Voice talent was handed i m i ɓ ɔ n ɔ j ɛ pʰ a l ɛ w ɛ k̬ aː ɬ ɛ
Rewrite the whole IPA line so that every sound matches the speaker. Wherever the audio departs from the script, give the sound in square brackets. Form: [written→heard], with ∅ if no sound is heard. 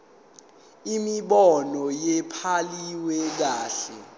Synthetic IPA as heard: i m i ɓ ɔ n ɔ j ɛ pʰ a l [ɛ→i] w ɛ k̬ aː ɬ ɛ